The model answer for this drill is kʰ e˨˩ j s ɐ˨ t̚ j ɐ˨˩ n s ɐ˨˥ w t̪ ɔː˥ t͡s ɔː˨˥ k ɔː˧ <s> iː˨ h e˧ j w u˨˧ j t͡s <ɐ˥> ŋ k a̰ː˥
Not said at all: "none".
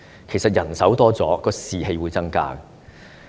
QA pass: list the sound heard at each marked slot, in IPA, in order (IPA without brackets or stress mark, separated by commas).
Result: s, ɐ˥